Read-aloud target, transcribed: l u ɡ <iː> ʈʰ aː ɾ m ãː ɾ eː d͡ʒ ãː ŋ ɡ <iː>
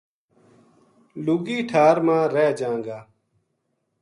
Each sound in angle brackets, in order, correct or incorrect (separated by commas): correct, incorrect